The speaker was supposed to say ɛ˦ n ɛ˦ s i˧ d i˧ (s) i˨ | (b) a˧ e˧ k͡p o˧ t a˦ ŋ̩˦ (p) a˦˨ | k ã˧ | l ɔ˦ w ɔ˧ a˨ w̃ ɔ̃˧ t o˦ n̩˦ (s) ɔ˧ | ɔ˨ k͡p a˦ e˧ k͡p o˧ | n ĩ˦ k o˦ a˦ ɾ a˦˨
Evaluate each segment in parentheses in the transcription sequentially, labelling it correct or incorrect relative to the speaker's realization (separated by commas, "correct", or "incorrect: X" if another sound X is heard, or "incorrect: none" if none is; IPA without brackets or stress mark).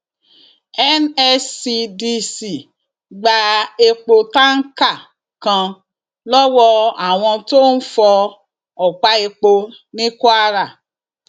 correct, incorrect: ɡ͡b, incorrect: k, incorrect: f